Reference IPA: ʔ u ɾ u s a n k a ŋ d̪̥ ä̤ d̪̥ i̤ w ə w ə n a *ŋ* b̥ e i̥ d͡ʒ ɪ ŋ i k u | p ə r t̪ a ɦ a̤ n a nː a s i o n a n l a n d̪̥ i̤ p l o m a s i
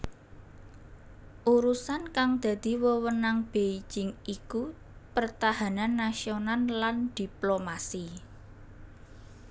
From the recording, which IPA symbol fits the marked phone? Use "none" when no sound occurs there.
ŋ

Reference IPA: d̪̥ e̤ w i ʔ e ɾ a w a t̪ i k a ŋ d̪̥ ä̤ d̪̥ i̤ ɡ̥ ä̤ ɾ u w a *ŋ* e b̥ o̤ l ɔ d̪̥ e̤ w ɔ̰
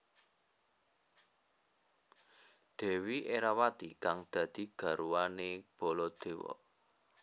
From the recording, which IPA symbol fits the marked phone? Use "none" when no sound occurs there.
n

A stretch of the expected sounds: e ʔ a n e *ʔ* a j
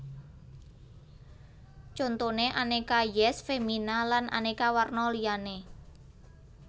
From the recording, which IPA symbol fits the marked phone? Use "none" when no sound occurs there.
k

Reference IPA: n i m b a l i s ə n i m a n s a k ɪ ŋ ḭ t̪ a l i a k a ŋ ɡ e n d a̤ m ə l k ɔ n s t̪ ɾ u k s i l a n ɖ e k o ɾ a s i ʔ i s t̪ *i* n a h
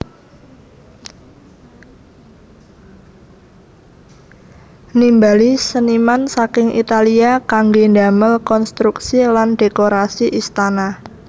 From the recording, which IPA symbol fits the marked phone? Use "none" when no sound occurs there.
a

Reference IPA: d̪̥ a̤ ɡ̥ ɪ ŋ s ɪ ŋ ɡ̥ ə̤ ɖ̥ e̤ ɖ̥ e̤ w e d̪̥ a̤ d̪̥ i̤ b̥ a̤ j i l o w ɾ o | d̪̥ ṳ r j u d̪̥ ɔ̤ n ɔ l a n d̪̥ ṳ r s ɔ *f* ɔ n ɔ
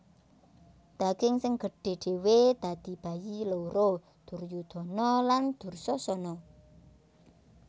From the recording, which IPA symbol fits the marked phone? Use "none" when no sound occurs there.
s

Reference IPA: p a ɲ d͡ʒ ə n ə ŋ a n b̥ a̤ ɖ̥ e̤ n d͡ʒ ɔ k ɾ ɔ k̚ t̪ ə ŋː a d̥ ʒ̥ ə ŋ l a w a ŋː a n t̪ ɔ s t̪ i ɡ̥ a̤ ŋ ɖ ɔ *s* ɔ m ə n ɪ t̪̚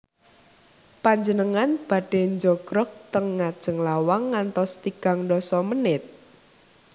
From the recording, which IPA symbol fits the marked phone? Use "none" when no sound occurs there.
s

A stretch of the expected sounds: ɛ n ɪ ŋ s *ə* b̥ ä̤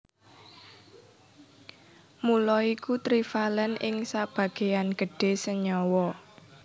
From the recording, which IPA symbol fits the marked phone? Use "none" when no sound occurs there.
a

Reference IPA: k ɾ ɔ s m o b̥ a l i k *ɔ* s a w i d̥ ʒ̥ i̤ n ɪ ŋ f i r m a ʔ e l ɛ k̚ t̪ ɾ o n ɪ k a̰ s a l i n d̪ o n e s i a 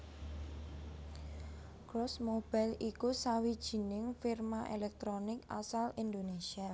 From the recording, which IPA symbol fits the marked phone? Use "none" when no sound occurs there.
u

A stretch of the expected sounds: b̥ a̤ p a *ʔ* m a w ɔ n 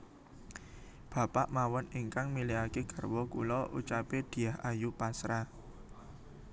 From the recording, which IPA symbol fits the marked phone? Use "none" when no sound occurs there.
ʔ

